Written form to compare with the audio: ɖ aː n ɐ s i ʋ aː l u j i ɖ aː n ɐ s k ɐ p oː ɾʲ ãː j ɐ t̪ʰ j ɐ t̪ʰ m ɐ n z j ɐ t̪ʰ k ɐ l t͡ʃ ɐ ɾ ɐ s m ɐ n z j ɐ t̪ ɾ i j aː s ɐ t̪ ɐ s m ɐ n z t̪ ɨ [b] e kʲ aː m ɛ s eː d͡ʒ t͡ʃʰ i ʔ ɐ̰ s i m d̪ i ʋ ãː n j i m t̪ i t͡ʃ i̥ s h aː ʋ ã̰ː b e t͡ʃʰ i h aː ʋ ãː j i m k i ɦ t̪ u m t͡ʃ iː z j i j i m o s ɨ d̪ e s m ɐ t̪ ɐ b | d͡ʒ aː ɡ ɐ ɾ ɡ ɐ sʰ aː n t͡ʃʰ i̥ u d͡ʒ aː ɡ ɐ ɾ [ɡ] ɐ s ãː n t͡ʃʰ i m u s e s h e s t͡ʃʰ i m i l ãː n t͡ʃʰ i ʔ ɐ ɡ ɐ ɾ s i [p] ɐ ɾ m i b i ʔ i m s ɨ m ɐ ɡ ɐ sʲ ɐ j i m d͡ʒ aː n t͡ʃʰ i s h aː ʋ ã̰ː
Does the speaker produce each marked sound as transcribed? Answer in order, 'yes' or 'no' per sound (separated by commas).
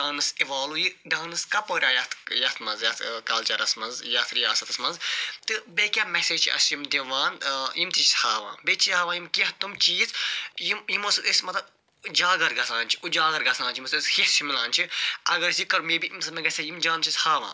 yes, yes, no